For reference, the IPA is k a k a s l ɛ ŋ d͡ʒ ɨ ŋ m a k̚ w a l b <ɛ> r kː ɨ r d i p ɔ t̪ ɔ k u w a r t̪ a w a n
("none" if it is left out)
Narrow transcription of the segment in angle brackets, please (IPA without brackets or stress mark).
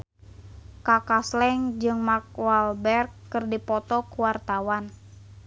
ɛ